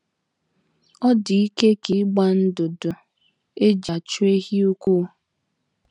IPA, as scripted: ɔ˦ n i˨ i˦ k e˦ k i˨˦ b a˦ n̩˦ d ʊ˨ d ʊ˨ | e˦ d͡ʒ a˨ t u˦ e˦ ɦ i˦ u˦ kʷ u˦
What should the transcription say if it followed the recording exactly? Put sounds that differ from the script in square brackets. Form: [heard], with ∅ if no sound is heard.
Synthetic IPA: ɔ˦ [d] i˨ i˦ k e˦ k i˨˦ [ɡ͡b] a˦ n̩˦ d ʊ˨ d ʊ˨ | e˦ d͡ʒ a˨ [t͡ʃ] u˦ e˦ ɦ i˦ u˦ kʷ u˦